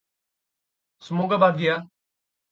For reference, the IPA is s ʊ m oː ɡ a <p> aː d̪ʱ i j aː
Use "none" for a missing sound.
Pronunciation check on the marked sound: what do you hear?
b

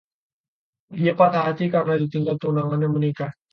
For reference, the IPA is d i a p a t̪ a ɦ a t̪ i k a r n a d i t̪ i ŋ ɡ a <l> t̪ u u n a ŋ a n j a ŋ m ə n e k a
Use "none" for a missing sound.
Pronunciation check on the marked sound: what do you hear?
l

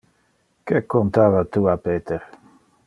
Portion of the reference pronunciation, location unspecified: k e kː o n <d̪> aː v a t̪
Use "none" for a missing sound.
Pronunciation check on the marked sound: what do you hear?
t̪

